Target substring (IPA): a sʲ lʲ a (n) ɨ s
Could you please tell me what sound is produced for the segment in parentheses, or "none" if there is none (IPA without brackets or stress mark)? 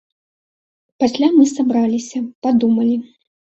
m